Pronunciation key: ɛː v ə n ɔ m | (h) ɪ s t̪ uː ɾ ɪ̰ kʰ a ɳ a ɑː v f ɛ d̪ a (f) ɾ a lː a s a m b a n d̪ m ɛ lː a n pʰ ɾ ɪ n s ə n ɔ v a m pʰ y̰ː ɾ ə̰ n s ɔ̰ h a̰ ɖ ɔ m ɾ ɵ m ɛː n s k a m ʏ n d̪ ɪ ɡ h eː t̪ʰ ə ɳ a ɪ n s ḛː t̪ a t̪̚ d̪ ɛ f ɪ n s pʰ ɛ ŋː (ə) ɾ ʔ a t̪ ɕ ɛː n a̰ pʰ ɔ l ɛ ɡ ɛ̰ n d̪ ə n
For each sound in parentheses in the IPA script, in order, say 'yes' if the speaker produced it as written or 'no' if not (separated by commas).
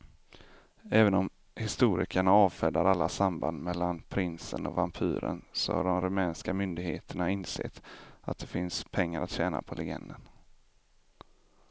yes, no, no